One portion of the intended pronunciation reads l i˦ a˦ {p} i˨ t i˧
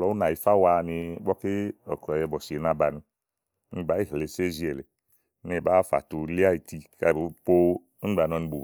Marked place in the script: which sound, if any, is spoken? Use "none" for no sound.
none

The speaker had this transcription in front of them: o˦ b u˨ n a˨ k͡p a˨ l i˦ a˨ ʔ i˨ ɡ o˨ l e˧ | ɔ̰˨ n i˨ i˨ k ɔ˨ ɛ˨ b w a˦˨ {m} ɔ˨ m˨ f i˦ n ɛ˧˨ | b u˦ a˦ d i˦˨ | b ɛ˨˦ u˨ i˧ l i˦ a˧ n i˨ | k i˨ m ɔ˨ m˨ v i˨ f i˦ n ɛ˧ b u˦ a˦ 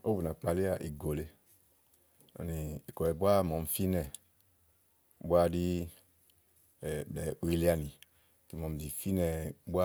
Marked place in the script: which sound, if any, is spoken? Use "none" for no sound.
m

